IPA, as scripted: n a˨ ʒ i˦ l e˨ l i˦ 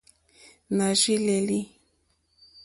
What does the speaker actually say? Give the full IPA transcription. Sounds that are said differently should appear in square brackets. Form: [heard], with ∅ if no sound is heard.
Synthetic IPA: n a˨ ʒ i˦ l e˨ l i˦